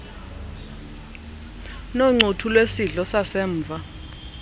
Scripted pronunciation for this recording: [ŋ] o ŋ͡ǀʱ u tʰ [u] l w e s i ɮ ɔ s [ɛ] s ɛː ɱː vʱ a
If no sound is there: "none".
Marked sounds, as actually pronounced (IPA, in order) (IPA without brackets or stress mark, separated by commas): n, u, a